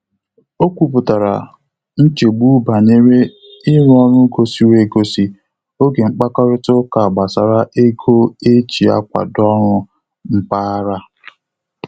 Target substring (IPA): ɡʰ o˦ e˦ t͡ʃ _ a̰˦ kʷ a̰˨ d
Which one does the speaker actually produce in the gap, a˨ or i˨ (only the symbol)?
i˨